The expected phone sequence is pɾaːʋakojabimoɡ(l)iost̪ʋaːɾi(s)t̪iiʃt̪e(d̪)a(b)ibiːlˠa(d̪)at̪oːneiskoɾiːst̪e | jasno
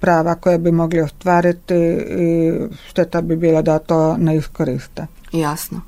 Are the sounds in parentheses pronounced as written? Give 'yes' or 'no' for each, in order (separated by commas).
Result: yes, no, no, yes, yes